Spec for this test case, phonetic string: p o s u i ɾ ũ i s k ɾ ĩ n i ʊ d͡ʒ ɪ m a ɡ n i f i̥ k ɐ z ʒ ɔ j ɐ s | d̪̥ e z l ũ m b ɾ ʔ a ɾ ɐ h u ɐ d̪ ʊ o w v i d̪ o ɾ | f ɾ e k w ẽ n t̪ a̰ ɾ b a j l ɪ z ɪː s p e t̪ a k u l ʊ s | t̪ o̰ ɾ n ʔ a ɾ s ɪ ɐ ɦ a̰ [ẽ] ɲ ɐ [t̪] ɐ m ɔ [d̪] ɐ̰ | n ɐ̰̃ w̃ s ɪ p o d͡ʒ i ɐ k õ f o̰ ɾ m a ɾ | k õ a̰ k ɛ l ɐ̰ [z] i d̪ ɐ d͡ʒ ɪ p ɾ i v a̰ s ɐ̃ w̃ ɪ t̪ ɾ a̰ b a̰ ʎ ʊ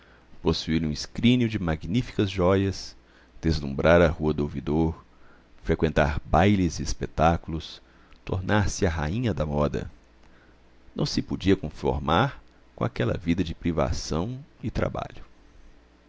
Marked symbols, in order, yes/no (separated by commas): no, no, yes, no